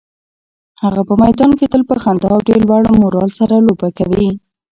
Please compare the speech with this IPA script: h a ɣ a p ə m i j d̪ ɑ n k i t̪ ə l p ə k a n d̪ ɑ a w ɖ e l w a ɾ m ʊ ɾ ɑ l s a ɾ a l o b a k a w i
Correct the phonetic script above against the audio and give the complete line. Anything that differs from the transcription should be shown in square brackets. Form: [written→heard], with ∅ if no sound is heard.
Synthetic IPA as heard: h a ɣ a p ə m [i→a] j d̪ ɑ n k [i→e] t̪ ə l p ə [k→x] a n d̪ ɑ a w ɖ e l w a [ɾ→ɽ] m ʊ ɾ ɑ l s a ɾ a l o b a k a w i